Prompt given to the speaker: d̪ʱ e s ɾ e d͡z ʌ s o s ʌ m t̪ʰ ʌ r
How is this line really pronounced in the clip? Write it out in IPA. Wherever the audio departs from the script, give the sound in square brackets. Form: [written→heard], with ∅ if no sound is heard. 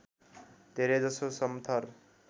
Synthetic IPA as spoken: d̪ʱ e [s→∅] ɾ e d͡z ʌ s o s ʌ m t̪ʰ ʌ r